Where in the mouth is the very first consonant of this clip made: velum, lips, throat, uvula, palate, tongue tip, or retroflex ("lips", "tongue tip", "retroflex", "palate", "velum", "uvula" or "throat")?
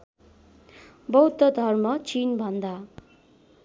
lips